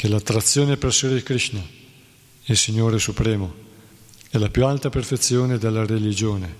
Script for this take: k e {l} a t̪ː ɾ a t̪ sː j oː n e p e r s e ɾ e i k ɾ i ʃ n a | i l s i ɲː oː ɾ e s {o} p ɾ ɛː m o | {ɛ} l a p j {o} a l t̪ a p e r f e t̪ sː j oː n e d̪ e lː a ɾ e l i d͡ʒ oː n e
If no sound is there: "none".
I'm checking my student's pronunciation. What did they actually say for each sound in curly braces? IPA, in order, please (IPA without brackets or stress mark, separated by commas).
l, u, ɛ, u